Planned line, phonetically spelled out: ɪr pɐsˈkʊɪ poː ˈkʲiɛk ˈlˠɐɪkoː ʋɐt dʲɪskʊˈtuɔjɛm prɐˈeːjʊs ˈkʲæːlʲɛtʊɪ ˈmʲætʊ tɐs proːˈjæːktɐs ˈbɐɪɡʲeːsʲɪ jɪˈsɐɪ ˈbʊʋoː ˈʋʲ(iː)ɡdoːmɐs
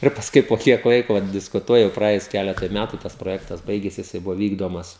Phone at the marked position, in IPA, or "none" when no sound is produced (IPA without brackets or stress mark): iː